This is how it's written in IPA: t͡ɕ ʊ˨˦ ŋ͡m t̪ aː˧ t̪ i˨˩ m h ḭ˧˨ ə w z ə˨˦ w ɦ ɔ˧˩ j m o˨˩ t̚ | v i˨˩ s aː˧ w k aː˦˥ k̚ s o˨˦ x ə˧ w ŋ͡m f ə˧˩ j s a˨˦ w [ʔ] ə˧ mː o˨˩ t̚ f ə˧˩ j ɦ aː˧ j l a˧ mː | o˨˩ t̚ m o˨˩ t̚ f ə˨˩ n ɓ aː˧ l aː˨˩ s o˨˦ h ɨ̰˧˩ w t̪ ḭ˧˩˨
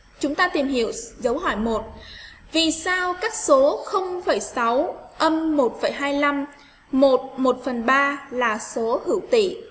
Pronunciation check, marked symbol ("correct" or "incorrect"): correct